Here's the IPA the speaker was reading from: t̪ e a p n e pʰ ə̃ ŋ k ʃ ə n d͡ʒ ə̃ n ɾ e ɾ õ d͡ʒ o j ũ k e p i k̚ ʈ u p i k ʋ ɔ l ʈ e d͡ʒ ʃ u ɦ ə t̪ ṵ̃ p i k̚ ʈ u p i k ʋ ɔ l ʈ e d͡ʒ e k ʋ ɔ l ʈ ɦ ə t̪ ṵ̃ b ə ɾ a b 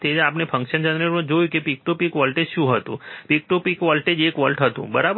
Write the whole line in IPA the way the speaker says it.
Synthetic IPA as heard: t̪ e a p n e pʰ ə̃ ŋ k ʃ ə n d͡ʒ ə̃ n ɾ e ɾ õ d͡ʒ o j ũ k e p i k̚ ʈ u p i k ʋ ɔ l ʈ e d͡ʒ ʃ ũ ɦ ə t̪ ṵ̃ p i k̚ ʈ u p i k ʋ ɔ l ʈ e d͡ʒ e k ʋ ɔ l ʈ ɦ ə t̪ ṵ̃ b ə ɾ a b